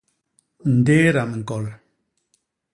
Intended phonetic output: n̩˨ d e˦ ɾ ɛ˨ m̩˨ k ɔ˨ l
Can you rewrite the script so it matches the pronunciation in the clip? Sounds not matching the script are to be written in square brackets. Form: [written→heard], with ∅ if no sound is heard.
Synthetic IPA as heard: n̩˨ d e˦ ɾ [ɛ˨→a˨] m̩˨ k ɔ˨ l